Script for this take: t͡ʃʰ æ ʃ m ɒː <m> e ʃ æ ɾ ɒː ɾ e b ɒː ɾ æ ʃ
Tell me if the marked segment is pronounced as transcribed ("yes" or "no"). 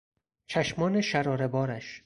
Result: no